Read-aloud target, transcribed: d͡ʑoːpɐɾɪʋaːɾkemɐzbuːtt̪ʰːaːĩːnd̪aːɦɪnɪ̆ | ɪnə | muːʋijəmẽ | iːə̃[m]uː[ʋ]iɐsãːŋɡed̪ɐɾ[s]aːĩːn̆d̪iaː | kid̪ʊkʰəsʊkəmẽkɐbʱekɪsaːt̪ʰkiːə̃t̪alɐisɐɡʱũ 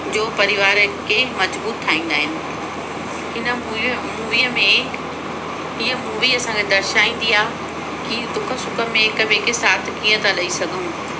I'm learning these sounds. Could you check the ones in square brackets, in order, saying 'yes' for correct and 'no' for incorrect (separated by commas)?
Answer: yes, yes, no